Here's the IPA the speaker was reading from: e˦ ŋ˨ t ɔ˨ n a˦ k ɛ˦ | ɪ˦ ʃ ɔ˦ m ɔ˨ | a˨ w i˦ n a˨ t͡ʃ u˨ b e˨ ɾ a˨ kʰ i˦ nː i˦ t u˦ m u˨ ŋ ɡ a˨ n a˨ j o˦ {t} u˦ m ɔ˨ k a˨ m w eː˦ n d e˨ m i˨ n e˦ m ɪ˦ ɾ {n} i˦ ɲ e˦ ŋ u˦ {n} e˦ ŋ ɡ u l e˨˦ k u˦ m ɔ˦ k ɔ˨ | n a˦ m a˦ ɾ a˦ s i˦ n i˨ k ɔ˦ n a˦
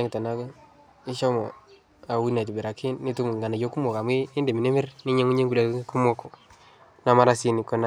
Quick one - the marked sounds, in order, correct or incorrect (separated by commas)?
incorrect, correct, incorrect